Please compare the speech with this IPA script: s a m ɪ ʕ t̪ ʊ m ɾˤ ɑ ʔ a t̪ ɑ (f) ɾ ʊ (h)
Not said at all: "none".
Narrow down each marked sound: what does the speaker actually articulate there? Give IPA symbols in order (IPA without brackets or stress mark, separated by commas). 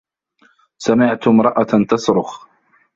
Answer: s, x